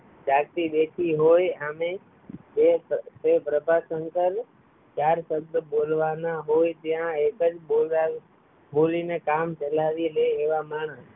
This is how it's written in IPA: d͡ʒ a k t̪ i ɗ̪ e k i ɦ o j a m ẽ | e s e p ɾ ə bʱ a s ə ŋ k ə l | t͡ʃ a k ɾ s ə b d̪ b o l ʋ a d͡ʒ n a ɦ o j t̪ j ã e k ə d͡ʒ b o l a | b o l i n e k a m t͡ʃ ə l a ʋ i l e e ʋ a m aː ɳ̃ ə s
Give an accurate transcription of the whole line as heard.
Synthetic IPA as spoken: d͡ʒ a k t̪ i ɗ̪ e kʰ i ɦ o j a m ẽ | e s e p ɾ ə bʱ a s ə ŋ k ə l | t͡ʃ a ɾ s ə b d̪ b o l ʋ a n a ɦ o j t̪ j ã e k ə d͡ʒ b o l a | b o l i n e k a m t͡ʃ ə l a ʋ i l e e ʋ a m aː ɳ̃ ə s

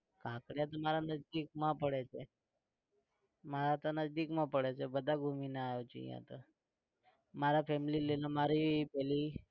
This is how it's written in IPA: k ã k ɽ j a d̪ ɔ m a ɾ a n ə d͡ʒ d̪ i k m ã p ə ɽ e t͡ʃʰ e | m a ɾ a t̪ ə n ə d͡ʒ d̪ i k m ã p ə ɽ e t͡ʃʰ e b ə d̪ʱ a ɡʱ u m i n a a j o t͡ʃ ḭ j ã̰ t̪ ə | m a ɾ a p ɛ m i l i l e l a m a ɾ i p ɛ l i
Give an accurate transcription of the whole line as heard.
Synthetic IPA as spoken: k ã k ɽ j a t̪ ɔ m a ɾ a n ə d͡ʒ d̪ i k m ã p ə ɽ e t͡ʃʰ e | m a ɾ a t̪ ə n ə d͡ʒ d̪ i k m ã p ə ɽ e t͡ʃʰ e b ə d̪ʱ a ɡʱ u m i n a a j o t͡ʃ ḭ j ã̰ t̪ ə | m a ɾ a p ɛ m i l i l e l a m a ɾ i p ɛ l i

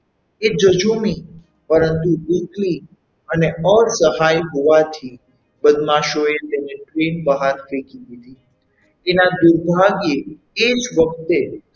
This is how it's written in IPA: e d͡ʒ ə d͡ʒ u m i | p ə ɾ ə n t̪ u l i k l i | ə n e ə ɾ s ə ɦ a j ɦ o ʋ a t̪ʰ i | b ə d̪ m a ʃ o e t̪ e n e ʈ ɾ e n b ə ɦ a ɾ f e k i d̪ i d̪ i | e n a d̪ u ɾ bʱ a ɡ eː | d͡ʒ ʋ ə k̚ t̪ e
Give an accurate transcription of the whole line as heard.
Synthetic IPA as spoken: e d͡ʒ ə d͡ʒ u m i | p ə ɾ ə n t̪ u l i k l i | ə n e ə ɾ s ə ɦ a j ɦ o ʋ a t̪ʰ i | b ə d̪ m a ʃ o e t̪ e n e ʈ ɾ e n b ə ɦ a ɾ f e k i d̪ i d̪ i | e n a d̪ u ɾ bʱ a ɡ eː | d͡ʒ ʋ ə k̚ t̪ e

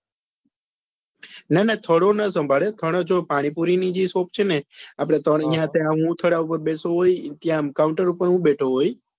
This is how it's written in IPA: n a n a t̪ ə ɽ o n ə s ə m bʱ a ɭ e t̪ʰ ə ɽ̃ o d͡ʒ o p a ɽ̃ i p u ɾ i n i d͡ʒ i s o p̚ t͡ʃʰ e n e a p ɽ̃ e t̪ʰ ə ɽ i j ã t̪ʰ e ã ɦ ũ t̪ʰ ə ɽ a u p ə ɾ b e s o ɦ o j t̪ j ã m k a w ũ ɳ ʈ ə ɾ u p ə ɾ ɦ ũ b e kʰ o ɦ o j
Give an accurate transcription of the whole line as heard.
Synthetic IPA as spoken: n a n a t̪ʰ ə ɽ o n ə s ə m bʱ a ɭ e t̪ʰ ə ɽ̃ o d͡ʒ o p a ɽ̃ i p u ɾ i n i d͡ʒ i s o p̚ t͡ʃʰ e n e a p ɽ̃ e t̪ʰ ə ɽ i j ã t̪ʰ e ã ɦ ũ t̪ʰ ə ɽ a u p ə ɾ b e s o ɦ o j t̪ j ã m k a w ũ ɳ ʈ ə ɾ u p ə ɾ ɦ ũ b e ʈʰ o ɦ o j

